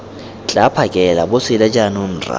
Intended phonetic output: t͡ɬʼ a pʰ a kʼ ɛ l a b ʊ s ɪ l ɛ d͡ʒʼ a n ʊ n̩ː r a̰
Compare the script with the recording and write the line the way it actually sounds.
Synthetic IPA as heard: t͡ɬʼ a pʰ a kʼ ɛ l a b ʊ s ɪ l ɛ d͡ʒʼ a n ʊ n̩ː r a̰